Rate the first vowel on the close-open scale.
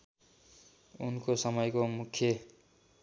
close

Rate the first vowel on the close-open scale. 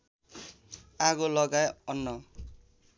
open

